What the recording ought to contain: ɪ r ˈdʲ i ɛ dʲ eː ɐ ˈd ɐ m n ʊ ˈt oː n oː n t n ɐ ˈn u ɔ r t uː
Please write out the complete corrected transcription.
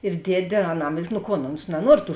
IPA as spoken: ɪ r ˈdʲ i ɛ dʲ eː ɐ ˈn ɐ m n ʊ ˈk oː n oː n s n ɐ ˈn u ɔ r t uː